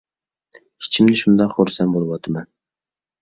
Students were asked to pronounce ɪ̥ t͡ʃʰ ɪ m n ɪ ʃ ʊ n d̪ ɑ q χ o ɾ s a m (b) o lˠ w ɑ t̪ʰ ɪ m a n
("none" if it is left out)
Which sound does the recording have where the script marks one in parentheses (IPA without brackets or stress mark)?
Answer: b